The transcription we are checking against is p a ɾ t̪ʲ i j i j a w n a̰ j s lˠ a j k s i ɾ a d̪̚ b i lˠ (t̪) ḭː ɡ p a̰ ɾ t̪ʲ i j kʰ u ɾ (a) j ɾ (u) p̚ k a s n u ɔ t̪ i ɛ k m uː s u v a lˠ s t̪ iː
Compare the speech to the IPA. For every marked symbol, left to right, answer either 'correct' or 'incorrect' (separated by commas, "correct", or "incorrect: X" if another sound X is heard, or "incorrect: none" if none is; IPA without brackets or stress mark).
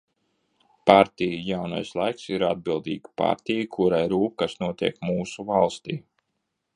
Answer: incorrect: d̪, correct, incorrect: uː